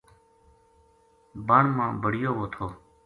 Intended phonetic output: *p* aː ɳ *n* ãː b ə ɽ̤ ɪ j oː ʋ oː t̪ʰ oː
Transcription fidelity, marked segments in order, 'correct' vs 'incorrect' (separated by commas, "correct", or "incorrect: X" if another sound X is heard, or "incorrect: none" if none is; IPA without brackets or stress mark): incorrect: b, incorrect: m